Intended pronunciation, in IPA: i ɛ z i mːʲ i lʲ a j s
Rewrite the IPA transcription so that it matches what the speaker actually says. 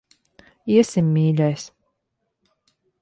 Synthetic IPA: i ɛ s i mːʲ iː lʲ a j s